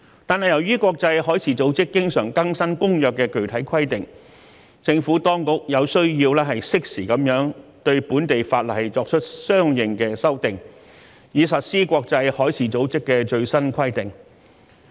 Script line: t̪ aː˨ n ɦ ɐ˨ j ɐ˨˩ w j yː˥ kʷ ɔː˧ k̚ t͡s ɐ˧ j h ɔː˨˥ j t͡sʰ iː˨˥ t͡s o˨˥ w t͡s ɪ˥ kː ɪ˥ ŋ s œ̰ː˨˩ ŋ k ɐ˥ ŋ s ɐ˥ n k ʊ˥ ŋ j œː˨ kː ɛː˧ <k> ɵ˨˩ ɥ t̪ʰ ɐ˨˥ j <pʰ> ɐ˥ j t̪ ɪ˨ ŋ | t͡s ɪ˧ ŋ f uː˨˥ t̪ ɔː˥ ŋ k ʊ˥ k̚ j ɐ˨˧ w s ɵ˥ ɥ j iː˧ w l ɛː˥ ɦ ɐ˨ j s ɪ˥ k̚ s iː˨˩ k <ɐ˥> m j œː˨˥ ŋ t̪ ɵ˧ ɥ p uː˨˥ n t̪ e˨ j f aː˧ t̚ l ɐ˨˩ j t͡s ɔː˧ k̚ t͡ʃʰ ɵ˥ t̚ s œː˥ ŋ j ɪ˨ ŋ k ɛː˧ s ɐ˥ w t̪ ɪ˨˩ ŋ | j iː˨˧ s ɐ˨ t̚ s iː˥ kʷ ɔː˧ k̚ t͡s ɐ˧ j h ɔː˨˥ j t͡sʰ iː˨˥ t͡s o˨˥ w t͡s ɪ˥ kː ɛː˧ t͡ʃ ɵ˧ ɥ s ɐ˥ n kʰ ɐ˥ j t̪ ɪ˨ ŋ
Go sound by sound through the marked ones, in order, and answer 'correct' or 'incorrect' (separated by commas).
correct, incorrect, incorrect